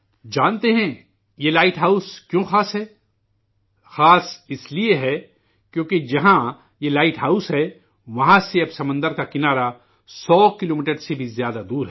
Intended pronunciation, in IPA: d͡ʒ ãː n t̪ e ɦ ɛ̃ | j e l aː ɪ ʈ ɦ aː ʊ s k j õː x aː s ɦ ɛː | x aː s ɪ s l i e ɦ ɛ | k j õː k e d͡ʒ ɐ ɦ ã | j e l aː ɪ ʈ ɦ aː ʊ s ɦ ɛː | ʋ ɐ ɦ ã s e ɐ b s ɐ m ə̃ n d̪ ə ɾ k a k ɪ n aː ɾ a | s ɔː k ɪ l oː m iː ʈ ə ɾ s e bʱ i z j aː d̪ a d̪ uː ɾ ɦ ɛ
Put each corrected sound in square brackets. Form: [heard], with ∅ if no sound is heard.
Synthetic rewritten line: d͡ʒ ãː n t̪ e ɦ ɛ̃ | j e l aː ɪ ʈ ɦ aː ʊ s k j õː x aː s ɦ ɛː | x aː s ɪ s l i e ɦ ɛ | k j õː k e d͡ʒ ɐ ɦ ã | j e l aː ɪ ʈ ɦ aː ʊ s ɦ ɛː | ʋ ɐ ɦ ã s e ɐ b s ɐ m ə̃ n d̪ ə ɾ k a k ɪ n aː ɾ a | s ɔː k ɪ l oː m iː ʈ ə ɾ s e bʱ i z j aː d̪ a d̪ uː ɾ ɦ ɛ